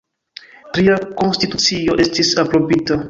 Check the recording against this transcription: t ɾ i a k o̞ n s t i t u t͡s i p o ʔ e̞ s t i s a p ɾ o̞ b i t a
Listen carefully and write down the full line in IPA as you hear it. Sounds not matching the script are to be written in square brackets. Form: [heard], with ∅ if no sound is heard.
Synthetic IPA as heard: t ɾ i a k o̞ n s t i t u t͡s i [∅] o ʔ e̞ s t i s a p ɾ o̞ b i t a